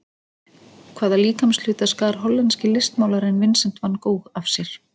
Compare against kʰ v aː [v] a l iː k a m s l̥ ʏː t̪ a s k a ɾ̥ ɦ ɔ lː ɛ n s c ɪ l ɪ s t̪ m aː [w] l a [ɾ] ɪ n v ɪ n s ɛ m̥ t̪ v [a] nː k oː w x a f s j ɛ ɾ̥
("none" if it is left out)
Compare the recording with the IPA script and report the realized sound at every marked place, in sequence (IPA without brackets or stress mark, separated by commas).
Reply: ð, w, ɾ, a